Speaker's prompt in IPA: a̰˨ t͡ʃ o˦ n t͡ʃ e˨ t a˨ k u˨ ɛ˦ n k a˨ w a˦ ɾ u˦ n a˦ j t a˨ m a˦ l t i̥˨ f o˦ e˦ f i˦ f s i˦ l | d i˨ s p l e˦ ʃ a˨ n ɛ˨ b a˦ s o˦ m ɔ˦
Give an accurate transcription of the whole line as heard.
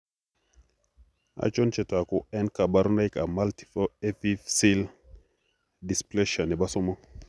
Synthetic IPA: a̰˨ t͡ʃ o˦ n t͡ʃ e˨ t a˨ k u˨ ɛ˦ n k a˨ b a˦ ɾ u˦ n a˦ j k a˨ m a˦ l t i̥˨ f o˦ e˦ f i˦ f s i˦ l | d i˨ s p l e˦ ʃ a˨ n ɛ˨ b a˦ s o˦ m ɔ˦